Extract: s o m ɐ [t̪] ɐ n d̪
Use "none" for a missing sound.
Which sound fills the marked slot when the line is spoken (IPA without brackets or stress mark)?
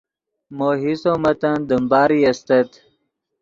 t̪